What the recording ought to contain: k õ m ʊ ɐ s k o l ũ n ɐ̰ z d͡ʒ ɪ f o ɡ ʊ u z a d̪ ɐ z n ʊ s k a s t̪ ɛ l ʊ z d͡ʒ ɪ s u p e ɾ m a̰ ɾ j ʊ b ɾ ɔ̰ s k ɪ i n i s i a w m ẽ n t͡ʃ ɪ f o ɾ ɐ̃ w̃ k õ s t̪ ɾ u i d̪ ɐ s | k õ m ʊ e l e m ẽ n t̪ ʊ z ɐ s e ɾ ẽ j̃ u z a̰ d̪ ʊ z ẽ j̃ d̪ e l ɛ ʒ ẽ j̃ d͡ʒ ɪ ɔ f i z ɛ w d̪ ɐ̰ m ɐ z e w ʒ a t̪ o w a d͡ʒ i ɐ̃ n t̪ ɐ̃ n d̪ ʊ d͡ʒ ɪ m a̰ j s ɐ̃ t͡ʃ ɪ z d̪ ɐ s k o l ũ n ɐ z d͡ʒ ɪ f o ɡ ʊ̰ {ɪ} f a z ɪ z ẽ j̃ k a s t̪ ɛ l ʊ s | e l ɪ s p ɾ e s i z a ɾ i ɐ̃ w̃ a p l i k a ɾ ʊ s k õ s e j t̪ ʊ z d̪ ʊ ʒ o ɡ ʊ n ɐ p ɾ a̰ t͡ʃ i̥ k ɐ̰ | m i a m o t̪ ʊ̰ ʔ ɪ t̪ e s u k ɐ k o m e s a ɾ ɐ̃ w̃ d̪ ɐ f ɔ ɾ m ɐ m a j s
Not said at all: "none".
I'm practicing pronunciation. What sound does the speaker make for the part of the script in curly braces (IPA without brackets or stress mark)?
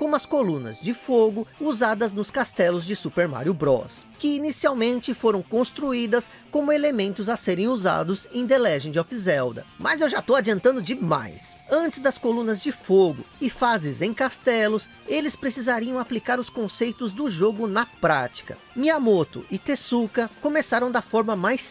ɪ